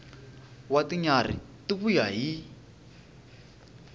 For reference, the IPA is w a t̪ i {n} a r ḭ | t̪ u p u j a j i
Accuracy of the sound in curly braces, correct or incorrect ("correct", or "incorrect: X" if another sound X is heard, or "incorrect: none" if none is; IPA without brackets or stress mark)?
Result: incorrect: ɲ